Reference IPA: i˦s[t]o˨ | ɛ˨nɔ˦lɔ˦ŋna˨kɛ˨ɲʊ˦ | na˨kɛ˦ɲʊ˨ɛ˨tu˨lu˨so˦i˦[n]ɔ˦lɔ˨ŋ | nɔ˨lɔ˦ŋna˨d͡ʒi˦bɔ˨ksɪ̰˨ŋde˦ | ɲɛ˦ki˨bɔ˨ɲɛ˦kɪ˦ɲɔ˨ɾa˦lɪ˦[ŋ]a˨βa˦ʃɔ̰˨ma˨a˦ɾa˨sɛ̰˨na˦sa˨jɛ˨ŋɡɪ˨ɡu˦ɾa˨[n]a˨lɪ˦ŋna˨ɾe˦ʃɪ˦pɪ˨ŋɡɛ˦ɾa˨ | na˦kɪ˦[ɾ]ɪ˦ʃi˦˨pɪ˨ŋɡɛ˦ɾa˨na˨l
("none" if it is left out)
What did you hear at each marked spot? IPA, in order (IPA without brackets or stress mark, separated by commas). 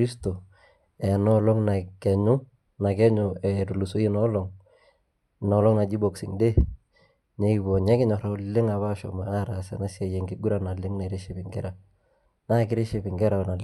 t, n, ŋ, n, ɾ